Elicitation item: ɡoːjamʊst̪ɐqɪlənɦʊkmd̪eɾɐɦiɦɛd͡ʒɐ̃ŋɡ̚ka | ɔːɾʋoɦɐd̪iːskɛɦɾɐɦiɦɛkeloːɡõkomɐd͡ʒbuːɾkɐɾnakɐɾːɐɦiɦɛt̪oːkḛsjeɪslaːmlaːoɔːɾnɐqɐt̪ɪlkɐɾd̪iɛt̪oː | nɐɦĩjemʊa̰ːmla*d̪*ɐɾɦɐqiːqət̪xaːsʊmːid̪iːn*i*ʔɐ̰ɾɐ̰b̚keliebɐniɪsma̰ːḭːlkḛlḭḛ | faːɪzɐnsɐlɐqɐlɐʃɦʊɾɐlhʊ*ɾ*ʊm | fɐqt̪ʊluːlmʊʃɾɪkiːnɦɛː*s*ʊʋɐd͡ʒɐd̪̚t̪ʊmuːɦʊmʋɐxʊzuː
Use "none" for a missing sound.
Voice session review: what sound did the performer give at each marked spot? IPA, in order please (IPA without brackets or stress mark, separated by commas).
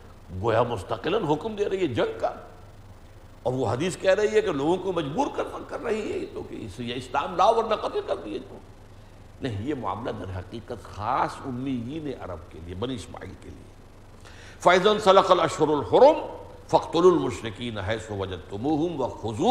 d̪, e, ɾ, s